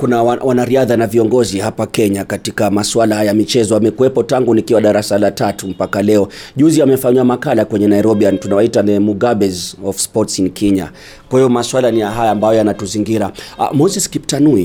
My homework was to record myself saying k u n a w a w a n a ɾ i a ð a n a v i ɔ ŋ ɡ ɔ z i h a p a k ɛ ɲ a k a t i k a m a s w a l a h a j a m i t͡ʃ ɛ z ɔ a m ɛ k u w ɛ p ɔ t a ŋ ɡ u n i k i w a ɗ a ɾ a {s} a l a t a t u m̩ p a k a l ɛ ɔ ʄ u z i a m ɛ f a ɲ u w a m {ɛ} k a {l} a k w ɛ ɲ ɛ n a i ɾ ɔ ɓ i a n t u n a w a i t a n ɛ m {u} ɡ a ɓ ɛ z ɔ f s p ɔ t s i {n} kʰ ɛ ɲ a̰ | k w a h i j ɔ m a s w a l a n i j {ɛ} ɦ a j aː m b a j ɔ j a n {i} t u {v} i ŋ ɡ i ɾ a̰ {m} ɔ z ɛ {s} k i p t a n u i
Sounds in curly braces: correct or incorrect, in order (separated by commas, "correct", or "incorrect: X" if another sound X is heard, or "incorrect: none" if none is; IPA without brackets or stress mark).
correct, incorrect: a, correct, correct, correct, incorrect: a, incorrect: a, incorrect: z, correct, correct